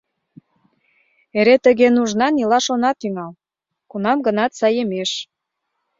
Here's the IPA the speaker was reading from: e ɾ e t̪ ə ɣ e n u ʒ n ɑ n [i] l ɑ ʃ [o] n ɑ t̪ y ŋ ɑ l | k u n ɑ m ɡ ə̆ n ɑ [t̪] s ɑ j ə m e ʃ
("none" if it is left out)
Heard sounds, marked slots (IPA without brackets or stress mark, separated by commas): i, o, t̪